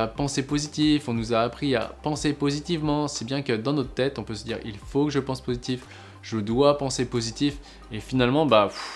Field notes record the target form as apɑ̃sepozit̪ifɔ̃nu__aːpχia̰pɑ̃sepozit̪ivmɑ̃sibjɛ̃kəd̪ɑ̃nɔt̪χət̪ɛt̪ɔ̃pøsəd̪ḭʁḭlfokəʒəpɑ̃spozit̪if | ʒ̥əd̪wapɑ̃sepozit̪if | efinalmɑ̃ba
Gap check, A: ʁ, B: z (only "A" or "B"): B